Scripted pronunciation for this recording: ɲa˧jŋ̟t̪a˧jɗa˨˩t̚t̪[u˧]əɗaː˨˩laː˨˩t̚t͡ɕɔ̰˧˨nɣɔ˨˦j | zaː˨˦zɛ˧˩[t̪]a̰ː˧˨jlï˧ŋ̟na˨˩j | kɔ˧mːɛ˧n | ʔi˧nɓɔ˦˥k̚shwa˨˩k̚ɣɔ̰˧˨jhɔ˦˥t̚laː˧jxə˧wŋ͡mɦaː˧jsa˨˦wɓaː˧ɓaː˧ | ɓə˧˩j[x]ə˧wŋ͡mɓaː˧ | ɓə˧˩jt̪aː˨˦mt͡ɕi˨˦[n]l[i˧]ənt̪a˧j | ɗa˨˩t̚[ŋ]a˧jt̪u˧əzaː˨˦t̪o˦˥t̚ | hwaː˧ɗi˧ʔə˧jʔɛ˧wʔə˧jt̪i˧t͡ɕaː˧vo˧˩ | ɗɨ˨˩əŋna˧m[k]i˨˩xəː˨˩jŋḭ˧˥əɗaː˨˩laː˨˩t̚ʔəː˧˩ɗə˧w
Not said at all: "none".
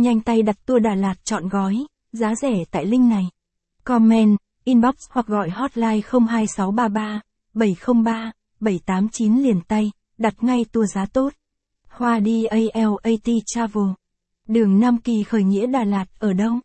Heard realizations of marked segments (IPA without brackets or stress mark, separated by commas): u˧, t̪, x, n, i˨˩, ŋ, k